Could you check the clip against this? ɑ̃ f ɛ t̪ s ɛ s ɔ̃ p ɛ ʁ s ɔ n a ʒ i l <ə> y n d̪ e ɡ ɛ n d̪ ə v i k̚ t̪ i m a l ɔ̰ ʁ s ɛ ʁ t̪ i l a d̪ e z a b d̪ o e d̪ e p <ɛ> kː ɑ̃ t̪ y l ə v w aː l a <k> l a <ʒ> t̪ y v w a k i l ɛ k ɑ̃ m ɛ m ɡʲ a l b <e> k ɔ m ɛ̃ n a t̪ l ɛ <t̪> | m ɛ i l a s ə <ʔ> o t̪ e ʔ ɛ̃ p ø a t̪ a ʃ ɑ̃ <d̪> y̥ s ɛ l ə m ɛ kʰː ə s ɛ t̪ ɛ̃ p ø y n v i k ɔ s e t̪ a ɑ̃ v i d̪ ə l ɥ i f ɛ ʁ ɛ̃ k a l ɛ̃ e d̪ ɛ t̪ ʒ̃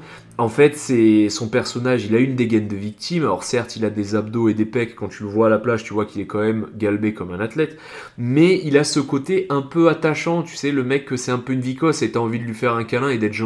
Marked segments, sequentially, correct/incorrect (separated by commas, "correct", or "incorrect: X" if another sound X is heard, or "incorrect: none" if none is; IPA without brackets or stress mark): incorrect: a, correct, incorrect: p, correct, correct, correct, incorrect: k, incorrect: t̪